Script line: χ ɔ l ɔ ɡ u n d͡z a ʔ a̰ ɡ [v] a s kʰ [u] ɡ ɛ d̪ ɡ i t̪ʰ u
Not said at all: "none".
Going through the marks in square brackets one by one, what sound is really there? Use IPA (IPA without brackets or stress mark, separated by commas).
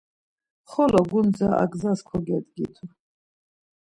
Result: z, ɔ